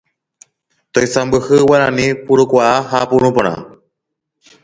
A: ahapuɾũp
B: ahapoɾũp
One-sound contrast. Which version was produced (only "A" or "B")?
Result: A